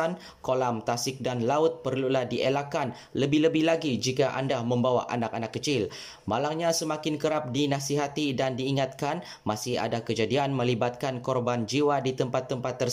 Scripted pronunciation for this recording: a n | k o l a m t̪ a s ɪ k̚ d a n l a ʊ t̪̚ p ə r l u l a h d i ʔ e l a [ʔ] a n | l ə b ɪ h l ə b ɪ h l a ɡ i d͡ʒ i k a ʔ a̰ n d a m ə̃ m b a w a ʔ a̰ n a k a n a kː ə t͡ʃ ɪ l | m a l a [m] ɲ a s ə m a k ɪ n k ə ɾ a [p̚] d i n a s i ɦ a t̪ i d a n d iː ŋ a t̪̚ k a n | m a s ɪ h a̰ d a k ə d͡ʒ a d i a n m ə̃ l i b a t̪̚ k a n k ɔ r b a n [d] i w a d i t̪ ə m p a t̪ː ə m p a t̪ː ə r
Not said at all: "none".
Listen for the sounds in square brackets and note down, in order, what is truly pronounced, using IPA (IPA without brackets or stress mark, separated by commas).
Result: k, ŋ, p̚, d͡ʒ